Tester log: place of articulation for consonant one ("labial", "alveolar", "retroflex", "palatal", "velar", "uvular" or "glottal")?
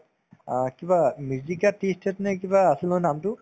velar